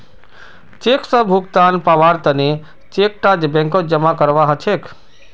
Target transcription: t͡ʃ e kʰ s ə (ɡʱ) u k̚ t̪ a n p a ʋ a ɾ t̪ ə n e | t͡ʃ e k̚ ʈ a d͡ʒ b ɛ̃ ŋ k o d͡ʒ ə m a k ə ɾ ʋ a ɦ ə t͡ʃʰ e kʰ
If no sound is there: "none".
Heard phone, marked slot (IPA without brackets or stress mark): bʱ